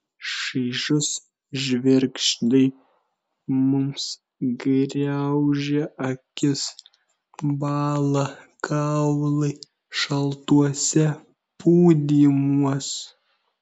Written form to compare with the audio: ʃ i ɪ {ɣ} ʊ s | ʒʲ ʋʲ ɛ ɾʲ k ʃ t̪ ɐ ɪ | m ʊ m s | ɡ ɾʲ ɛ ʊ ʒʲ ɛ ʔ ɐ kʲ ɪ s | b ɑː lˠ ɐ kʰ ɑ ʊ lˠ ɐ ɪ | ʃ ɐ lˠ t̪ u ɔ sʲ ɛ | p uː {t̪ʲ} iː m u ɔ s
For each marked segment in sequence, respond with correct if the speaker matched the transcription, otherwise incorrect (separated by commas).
incorrect, incorrect